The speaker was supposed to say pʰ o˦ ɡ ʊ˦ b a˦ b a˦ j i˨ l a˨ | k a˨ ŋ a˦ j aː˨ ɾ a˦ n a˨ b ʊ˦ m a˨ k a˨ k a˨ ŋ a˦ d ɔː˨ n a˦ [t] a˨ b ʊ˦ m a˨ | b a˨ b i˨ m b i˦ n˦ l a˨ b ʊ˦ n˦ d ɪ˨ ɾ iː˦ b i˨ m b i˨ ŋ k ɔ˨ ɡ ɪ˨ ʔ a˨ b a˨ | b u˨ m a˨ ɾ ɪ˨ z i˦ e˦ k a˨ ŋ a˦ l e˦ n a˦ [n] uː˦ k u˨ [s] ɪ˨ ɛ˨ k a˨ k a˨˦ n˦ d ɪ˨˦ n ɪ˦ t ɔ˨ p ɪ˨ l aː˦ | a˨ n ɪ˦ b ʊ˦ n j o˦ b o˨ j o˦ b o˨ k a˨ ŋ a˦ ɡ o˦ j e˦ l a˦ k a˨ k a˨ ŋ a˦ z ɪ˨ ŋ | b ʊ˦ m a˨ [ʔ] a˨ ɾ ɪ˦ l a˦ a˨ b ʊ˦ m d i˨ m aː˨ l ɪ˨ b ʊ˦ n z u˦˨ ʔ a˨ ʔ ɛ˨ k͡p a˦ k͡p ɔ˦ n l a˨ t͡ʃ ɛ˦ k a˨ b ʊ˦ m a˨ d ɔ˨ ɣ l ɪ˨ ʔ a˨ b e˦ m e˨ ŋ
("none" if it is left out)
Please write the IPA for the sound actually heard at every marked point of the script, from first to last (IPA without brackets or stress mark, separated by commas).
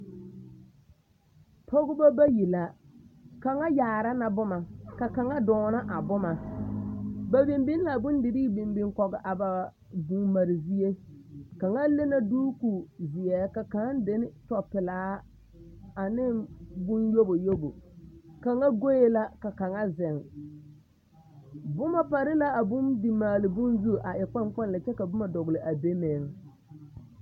ʔ, d, z, p